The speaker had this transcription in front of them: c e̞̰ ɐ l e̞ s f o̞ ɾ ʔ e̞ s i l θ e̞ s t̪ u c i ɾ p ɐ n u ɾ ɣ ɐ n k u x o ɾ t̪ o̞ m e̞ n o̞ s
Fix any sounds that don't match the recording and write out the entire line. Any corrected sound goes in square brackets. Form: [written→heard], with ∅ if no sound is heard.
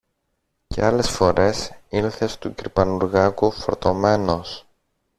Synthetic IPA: c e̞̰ ɐ l e̞ s f o̞ ɾ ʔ e̞ s i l θ e̞ s t̪ u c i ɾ p ɐ n u ɾ ɣ ɐ [n→∅] k u [x→f] o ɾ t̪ o̞ m e̞ n o̞ s